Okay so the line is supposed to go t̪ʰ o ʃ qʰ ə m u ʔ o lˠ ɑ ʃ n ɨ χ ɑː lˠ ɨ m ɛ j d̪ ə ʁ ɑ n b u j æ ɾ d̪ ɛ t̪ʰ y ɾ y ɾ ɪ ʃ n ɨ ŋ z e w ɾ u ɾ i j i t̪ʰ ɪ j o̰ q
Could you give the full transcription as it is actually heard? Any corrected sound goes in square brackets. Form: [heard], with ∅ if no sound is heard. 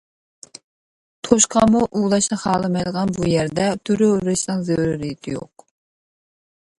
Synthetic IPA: t̪ʰ o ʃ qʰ [ɑ] m u ʔ [u] lˠ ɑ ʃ n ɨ χ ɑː lˠ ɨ m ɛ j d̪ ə ʁ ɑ n b u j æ ɾ d̪ ɛ t̪ʰ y ɾ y ɾ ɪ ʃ n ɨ ŋ z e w ɾ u ɾ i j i t̪ʰ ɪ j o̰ q